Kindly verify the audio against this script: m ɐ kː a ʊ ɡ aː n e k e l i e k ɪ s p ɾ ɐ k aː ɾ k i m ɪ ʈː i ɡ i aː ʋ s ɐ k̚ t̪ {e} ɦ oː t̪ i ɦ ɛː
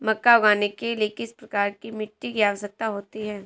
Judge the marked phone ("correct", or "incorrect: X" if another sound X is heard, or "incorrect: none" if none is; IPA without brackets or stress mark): incorrect: a